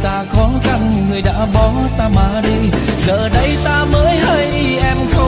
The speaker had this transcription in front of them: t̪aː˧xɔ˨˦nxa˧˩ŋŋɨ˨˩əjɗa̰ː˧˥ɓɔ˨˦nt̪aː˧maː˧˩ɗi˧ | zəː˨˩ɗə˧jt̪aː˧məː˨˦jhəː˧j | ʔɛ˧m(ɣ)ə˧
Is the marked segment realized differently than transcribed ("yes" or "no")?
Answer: yes